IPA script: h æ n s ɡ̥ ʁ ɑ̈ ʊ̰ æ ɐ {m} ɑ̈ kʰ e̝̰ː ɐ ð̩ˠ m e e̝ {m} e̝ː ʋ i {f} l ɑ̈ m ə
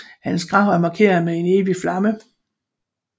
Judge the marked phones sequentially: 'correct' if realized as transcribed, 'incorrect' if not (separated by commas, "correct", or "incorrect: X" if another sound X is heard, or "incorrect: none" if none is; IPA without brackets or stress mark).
correct, incorrect: n, correct